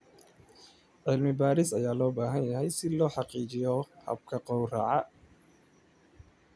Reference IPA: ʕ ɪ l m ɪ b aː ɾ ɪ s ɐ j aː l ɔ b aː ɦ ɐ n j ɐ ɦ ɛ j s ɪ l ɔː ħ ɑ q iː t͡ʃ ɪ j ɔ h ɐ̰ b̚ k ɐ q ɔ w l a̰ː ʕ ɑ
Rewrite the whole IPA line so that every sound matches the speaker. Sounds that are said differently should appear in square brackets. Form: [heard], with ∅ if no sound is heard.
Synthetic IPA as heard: ʕ ɪ l m ɪ b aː ɾ ɪ s ɐ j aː l [ɔː] b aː ɦ ɐ n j ɐ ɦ ɛ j s ɪ l ɔː ħ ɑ q iː t͡ʃ ɪ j ɔ h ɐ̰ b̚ [kʰ] ɐ q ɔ w [r] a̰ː ʕ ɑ

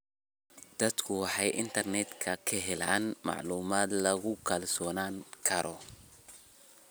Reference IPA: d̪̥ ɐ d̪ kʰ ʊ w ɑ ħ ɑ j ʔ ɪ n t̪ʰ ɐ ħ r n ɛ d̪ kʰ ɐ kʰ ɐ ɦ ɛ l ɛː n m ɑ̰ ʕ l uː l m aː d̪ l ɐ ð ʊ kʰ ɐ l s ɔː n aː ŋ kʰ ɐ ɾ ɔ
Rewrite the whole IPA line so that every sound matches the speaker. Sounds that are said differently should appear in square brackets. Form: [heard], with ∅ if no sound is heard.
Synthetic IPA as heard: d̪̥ ɐ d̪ kʰ ʊ w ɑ ħ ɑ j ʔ ɪ n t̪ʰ ɐ [∅] r n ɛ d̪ kʰ ɐ kʰ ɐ ɦ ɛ l [aː] n m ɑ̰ ʕ l uː [∅] m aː d̪ l ɐ [ɣ] ʊ kʰ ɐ l s ɔː n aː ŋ kʰ ɐ ɾ ɔ

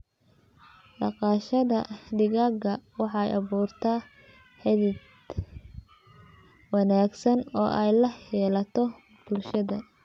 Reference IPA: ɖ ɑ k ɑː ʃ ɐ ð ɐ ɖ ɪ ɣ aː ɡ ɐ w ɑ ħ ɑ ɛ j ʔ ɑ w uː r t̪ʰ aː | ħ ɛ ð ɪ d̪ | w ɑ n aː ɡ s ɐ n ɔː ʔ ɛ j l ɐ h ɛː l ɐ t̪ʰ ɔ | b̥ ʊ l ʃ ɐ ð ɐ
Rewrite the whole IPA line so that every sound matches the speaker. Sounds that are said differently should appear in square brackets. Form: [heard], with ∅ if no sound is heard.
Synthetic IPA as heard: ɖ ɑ [q] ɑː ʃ ɐ ð ɐ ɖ ɪ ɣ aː ɡ ɐ w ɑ ħ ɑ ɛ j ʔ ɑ [β] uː r t̪ʰ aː | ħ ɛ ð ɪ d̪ | w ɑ n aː ɡ s ɐ n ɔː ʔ ɛ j l ɐ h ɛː l ɐ t̪ʰ ɔ | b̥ ʊ l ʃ ɐ ð ɐ

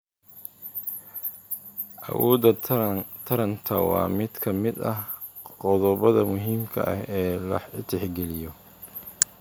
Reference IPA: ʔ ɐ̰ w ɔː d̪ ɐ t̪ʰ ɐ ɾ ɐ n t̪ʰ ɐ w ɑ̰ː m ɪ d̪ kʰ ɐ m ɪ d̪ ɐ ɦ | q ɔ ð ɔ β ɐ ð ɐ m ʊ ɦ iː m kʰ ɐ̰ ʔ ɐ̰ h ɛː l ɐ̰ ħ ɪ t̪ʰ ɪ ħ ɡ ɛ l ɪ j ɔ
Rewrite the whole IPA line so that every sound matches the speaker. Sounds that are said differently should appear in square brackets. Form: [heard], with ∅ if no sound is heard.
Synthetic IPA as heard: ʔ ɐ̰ w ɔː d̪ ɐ t̪ʰ ɐ ɾ ɐ n t̪ʰ ɐ w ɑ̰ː m ɪ d̪ kʰ ɐ m ɪ d̪ ɐ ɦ | q ɔ ð ɔ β ɐ ð ɐ m ʊ ɦ iː m kʰ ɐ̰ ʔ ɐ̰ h ɛː l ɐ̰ ħ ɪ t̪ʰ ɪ ħ ɡ ɛ l ɪ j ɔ

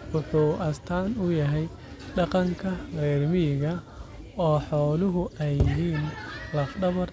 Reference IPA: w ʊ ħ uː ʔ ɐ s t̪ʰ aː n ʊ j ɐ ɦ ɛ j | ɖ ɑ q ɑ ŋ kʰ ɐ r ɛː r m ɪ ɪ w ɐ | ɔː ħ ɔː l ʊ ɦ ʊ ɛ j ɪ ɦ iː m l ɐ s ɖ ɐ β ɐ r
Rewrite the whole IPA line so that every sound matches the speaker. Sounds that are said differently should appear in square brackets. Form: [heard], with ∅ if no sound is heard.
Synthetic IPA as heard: w ʊ ħ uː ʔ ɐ s t̪ʰ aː n ʊ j ɐ ɦ ɛ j | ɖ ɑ q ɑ ŋ kʰ ɐ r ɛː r m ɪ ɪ [ɣ] ɐ | ɔː ħ ɔː l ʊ ɦ ʊ ɛ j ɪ ɦ iː [n] l ɐ [f] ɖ ɐ β ɐ r

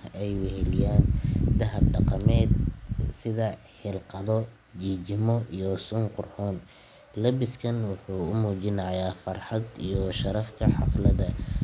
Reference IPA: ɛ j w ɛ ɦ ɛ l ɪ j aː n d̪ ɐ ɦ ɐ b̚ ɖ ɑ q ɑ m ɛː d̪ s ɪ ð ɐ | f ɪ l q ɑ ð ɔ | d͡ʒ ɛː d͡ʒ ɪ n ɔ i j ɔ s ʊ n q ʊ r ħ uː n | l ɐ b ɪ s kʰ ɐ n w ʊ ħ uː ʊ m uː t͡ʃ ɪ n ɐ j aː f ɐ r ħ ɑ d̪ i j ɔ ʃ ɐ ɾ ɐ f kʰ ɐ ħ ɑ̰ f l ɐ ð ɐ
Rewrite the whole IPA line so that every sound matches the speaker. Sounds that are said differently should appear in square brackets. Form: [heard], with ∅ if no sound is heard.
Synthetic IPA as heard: ɛ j w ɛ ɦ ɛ l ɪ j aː n d̪ ɐ ɦ ɐ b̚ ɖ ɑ q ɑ m ɛː d̪ s ɪ ð ɐ | [ħ] ɪ l q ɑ ð ɔ | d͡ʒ [iː] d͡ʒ ɪ [m] ɔ i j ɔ s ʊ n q ʊ r ħ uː n | l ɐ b ɪ s kʰ ɐ n w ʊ ħ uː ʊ m uː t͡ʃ ɪ n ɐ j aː f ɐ r ħ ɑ d̪ i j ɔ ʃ ɐ ɾ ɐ f kʰ ɐ ħ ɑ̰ f l ɐ ð ɐ

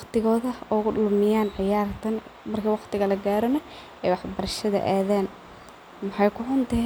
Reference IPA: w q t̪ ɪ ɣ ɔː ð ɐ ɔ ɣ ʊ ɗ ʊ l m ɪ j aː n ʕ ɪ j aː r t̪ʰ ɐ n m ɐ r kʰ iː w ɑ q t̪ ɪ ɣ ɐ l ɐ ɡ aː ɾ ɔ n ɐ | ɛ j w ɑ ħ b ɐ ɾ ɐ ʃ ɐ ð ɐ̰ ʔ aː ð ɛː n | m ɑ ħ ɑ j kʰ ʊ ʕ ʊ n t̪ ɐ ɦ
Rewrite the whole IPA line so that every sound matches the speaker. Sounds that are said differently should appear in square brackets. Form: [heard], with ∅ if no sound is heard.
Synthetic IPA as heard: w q t̪ ɪ ɣ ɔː ð ɐ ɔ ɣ ʊ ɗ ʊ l m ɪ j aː n ʕ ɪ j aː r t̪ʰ ɐ n m ɐ r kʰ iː w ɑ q t̪ ɪ ɣ ɐ l ɐ ɡ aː ɾ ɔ n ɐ | ɛ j w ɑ ħ b ɐ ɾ ɐ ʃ ɐ ð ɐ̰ ʔ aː ð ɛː n | m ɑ ħ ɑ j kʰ ʊ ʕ ʊ n t̪ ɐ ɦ

